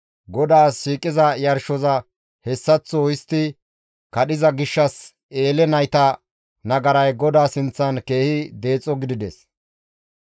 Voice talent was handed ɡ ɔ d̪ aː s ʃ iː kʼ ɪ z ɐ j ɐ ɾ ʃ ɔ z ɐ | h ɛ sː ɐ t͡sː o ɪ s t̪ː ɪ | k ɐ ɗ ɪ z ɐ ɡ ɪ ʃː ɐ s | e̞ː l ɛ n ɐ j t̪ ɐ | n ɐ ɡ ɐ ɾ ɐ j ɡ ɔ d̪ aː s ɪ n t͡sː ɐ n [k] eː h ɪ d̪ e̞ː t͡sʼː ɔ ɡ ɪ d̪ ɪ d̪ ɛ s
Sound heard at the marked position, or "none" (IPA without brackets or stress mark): k